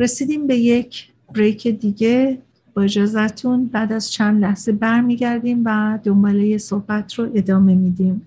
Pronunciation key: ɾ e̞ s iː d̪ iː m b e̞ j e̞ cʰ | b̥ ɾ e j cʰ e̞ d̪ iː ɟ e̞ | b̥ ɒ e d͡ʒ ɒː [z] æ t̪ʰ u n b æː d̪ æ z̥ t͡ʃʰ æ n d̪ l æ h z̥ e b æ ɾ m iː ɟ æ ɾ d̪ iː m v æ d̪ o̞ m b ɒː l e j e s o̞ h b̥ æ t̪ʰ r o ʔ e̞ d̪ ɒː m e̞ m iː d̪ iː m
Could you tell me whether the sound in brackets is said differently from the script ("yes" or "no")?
no